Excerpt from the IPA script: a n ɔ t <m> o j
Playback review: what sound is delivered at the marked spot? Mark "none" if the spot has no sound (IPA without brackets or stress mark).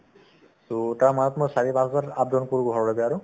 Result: m